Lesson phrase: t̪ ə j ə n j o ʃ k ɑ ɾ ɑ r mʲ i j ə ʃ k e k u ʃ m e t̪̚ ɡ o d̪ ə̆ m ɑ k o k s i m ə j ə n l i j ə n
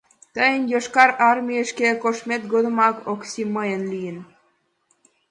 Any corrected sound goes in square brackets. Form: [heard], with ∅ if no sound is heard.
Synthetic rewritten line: t̪ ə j ə n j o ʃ k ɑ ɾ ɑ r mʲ i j ə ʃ k e k [o] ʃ m e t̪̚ ɡ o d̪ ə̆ m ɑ k o k s i m ə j ə n l i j ə n